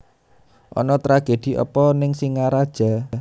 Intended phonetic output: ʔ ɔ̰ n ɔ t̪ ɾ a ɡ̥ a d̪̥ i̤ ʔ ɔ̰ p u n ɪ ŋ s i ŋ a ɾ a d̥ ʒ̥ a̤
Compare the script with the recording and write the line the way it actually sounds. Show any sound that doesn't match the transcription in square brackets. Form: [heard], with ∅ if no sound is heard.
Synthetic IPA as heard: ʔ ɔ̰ n ɔ t̪ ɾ a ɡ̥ [e] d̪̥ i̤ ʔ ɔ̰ p [ɔ] n ɪ ŋ s i ŋ a ɾ a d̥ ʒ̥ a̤